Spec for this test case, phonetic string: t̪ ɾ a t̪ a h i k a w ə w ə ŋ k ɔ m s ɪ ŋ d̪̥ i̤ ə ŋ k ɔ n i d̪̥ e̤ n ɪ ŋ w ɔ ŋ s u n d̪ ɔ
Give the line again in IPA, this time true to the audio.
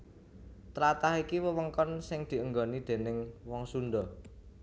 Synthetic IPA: t̪ ɾ a t̪ a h i k i w ə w ə ŋ k ɔ n s ɪ ŋ d̪̥ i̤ ə ŋ ɡ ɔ n i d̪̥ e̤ n ɪ ŋ w ɔ ŋ s u n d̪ ɔ

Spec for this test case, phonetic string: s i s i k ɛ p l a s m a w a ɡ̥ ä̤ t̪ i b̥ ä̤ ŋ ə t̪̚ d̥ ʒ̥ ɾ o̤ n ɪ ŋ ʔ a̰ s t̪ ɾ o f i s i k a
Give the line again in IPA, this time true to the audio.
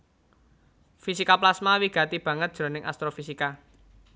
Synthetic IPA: f i s i k a p l a s m a w i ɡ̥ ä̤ t̪ i b̥ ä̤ ŋ ə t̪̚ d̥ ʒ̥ ɾ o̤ n ɪ ŋ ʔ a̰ s t̪ ɾ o f i s i k a

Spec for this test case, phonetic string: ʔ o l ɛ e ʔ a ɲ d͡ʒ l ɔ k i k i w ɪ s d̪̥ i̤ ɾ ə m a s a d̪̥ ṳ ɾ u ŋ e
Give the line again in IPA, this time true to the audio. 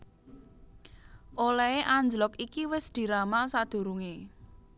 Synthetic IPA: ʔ o l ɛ e ʔ a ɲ d͡ʒ l ɔ k i k i w ɪ s d̪̥ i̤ ɾ a m a s a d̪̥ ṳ ɾ u ŋ e

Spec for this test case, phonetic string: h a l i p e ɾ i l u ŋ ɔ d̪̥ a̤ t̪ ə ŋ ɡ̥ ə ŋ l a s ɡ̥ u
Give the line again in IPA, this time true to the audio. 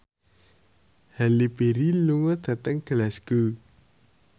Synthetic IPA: h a l i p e ɾ i l u ŋ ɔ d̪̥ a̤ t̪ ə ŋ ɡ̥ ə l a s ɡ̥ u

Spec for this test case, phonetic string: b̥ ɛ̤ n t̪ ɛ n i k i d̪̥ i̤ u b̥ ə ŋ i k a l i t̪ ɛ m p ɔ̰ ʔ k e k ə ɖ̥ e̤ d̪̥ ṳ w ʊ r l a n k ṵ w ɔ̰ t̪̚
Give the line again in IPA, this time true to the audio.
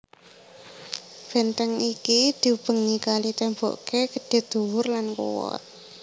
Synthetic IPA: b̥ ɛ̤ n t̪ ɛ ŋ i k i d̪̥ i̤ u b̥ ə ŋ i k a l i t̪ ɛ m b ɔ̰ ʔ k e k ə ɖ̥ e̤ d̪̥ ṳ w ʊ r l a n k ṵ w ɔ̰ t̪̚

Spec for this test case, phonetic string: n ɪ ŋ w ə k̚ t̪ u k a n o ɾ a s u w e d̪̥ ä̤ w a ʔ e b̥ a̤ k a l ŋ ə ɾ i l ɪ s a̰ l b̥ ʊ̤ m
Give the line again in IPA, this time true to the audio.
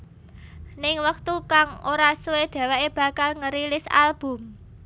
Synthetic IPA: n ɪ ŋ w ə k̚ t̪ u k a ŋ o ɾ a s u w e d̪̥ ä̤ w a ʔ e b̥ a̤ k a l ŋ ə ɾ i l ɪ s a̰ l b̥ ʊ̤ m

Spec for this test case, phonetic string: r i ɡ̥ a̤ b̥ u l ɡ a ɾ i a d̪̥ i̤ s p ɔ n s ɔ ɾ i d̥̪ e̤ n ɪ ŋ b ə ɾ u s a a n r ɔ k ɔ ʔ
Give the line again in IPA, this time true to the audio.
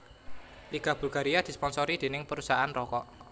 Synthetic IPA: l i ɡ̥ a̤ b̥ u l ɡ a ɾ i a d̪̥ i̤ s p ɔ n s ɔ ɾ i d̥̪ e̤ n ɪ ŋ p ə ɾ u s a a n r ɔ k ɔ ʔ

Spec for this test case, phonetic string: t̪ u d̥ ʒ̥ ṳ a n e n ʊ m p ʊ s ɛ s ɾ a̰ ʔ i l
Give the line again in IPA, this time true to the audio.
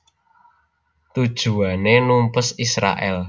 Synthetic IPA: t̪ u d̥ ʒ̥ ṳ a n e n u m p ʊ s i s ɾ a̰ ʔ ɛ l

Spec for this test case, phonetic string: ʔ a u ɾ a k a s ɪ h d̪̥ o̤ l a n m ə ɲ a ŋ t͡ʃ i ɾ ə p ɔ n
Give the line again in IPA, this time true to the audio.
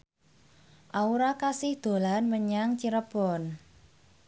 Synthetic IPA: ʔ a u ɾ a k a s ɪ h d̪̥ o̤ l a n m ə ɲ a ŋ t͡ʃ i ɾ ə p ɔ n

